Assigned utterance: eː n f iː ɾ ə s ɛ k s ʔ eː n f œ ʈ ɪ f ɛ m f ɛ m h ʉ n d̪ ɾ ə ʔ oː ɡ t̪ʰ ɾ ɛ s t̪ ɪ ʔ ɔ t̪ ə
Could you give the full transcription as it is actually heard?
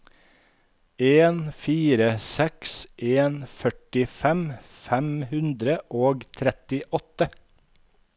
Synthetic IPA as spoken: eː n f iː ɾ ə s ɛ k s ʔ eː n f œ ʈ ɪ f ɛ m f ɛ m h ʉ n d̪ ɾ ə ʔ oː ɡ t̪ʰ ɾ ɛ t̪ ɪ ʔ ɔ t̪ ə